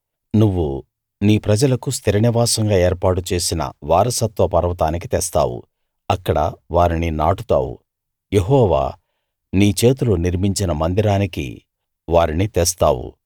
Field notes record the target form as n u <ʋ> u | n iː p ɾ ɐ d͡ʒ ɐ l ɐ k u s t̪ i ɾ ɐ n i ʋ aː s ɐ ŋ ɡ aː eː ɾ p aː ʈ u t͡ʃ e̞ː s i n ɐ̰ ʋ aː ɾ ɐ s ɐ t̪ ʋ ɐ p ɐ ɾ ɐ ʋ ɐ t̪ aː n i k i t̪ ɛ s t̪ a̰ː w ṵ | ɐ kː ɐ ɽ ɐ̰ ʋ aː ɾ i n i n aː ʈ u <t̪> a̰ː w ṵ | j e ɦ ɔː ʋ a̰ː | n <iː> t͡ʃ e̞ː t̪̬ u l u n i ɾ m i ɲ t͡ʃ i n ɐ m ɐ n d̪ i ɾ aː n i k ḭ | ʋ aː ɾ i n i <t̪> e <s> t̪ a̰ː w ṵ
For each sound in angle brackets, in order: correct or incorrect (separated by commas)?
incorrect, correct, correct, correct, correct